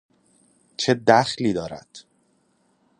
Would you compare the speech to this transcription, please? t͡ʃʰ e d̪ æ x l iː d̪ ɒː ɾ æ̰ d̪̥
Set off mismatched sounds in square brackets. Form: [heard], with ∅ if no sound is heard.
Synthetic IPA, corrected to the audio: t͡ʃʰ e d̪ æ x l iː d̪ ɒː ɾ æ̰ d̪̥